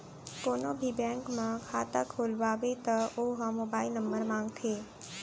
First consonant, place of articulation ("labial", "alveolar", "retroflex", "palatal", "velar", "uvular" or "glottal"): velar